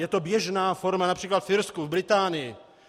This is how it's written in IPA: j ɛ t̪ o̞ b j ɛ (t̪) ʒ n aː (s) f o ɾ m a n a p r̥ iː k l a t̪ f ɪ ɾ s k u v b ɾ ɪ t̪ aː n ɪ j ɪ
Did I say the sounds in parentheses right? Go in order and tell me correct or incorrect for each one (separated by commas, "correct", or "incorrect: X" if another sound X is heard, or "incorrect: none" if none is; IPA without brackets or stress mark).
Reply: incorrect: none, incorrect: none